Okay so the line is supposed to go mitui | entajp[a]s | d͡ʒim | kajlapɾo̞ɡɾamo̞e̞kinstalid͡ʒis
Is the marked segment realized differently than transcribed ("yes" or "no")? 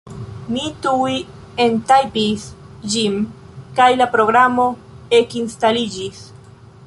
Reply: yes